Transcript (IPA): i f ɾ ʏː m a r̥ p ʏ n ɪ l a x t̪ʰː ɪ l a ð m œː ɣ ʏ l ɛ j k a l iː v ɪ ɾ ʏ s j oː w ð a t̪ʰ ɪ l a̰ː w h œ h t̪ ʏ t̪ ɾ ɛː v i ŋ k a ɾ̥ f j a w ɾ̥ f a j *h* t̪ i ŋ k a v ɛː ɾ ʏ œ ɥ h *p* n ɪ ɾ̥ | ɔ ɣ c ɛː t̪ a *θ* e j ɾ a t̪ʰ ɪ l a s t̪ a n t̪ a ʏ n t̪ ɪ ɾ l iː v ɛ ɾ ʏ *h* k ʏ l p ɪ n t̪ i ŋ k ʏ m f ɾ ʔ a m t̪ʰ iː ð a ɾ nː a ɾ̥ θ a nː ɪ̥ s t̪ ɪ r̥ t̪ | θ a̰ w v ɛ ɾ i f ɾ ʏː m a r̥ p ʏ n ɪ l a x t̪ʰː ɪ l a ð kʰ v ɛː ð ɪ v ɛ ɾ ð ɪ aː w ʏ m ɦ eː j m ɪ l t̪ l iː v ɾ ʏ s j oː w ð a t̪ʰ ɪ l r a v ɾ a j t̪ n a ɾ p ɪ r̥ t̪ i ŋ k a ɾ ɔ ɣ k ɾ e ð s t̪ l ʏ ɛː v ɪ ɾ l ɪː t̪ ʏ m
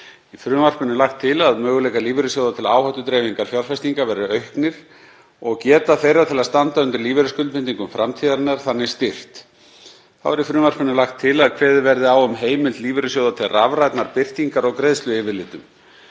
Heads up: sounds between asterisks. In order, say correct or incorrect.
incorrect: s, incorrect: k, correct, incorrect: s

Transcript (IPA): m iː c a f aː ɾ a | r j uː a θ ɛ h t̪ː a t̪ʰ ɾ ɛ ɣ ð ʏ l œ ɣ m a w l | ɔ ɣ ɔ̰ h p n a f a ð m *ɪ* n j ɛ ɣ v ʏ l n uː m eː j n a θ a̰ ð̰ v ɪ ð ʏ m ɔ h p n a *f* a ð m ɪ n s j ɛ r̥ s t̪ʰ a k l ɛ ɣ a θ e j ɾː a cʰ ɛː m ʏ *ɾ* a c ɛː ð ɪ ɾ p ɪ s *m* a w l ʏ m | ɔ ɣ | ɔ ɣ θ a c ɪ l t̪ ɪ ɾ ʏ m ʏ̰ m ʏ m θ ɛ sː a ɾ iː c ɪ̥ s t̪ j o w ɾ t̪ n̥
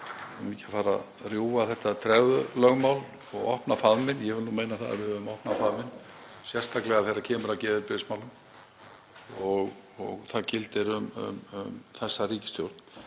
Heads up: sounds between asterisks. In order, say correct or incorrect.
correct, correct, correct, correct

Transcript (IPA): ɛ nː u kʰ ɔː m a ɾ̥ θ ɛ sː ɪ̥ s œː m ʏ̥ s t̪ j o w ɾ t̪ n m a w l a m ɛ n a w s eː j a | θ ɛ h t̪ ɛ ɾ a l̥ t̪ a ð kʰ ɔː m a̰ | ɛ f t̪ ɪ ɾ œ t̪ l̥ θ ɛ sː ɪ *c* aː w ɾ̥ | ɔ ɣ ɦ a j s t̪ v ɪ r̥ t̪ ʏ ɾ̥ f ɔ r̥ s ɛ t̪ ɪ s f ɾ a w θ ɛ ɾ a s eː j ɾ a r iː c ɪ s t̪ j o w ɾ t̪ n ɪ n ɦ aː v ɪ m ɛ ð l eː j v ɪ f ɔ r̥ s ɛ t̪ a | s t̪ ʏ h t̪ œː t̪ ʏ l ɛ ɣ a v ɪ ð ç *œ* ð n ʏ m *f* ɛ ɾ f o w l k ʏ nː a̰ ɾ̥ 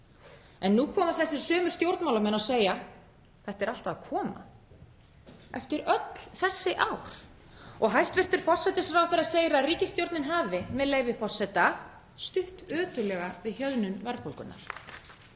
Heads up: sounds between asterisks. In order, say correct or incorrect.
incorrect: ʔ, correct, incorrect: v

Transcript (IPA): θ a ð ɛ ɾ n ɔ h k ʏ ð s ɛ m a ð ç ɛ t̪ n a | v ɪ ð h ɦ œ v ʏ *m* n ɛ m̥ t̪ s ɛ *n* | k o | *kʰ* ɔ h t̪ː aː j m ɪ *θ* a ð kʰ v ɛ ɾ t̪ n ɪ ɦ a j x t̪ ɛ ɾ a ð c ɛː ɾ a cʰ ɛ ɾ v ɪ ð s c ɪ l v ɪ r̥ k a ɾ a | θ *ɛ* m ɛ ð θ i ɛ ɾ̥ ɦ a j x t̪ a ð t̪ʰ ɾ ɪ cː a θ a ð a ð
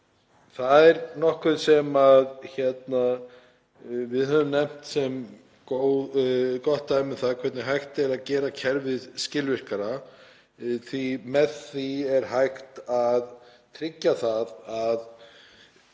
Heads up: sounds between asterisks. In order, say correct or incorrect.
correct, incorrect: m, incorrect: k, correct, incorrect: i

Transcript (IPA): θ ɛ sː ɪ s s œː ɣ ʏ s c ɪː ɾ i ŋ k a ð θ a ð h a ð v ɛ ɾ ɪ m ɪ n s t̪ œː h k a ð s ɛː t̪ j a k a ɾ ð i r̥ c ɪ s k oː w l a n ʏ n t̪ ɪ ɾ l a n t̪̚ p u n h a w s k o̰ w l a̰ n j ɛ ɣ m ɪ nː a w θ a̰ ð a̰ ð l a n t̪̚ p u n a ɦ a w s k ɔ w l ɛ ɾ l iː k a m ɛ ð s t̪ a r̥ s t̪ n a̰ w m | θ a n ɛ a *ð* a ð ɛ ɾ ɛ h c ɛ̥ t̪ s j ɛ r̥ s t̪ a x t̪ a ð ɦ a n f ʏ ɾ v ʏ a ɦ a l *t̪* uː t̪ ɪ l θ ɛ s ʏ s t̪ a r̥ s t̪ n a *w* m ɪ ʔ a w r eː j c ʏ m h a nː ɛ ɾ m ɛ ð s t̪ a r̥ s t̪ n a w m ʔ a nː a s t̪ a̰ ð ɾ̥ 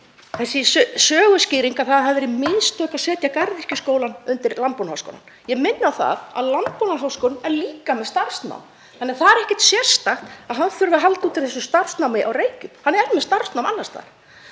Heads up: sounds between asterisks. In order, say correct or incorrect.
incorrect: θ, correct, correct

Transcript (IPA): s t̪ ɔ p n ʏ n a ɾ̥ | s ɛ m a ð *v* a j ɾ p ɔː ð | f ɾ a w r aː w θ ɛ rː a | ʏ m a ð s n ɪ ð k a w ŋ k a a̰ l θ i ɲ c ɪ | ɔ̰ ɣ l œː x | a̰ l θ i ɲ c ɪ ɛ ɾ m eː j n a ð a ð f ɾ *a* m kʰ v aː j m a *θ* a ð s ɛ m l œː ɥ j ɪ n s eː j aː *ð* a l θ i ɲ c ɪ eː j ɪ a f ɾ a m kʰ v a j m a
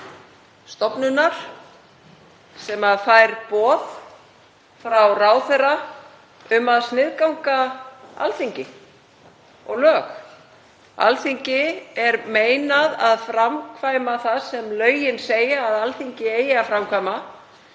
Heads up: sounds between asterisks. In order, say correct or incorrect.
incorrect: f, correct, correct, correct

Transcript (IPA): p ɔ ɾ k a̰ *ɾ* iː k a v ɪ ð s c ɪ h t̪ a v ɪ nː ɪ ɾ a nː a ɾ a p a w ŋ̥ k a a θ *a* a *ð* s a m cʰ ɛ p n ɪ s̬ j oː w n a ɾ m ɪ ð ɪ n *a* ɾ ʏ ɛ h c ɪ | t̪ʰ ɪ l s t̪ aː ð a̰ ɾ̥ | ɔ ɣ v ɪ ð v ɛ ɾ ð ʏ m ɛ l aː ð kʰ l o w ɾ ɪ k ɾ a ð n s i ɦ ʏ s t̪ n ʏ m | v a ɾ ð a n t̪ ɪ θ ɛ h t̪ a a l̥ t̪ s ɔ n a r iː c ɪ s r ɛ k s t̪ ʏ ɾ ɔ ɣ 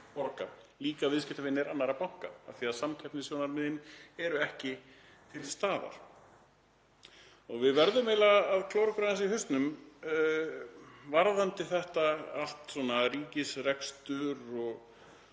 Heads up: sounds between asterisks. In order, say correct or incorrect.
incorrect: l, incorrect: i, correct, incorrect: ɛ

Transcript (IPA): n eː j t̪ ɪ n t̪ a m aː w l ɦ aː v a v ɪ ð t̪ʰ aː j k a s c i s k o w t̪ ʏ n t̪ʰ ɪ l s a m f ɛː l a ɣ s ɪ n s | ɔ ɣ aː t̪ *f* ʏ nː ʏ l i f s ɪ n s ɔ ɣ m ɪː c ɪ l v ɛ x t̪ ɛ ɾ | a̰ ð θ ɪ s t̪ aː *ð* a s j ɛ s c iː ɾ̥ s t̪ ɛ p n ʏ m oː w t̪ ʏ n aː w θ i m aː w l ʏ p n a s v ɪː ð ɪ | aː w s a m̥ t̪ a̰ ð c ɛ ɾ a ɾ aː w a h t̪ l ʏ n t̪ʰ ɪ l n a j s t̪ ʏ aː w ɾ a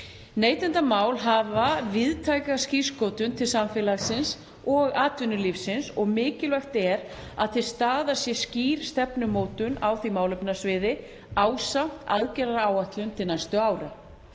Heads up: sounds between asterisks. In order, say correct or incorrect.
incorrect: v, correct

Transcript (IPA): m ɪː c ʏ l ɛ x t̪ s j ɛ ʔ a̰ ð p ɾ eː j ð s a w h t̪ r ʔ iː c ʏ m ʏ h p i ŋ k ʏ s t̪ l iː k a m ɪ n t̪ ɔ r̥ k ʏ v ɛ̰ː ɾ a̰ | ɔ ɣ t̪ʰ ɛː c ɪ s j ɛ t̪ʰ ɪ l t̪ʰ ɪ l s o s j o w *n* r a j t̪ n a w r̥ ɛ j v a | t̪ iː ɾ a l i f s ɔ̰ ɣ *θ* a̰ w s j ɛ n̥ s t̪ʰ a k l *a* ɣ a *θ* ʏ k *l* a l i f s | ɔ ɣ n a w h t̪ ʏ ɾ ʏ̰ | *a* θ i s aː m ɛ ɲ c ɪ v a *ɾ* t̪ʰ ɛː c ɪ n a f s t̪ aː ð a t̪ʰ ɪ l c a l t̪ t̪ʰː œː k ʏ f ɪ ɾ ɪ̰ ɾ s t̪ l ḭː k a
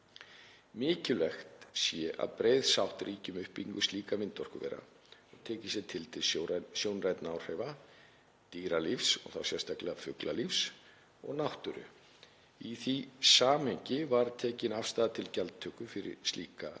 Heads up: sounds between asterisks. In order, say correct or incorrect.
correct, correct, incorrect: ɛ, incorrect: f, correct, incorrect: i, correct

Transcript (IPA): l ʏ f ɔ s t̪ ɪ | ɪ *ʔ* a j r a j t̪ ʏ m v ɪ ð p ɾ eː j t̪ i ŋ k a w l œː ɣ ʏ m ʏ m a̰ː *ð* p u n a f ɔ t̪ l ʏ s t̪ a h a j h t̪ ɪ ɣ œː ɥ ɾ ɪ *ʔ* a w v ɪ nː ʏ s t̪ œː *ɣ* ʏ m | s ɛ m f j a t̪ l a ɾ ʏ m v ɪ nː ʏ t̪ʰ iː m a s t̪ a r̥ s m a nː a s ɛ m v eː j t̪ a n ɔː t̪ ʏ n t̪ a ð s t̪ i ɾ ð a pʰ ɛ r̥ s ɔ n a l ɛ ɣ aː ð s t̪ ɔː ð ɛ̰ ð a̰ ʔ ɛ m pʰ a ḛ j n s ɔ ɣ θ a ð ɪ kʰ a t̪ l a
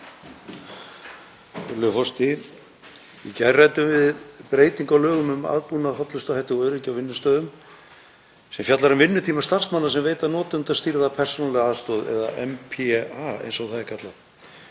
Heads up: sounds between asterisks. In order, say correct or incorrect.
incorrect: c, correct, incorrect: c, incorrect: ð

